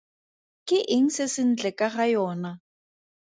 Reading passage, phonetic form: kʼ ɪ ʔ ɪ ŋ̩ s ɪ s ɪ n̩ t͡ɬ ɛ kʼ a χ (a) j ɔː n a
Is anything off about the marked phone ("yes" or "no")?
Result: no